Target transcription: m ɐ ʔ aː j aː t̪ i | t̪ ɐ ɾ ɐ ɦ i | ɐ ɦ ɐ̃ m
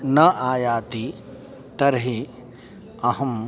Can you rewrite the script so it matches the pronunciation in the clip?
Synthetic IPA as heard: n ɐ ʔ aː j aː t̪ i | t̪ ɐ ɾ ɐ ɦ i | ɐ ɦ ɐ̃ m